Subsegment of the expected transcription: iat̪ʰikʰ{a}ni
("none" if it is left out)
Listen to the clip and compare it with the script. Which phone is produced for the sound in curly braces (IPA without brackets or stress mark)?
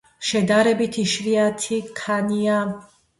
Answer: a